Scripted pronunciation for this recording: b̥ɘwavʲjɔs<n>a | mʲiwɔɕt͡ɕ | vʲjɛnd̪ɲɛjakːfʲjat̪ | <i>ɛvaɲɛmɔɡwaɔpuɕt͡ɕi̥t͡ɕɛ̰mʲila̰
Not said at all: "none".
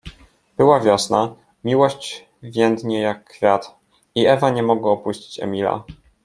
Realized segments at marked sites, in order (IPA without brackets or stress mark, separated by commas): n, i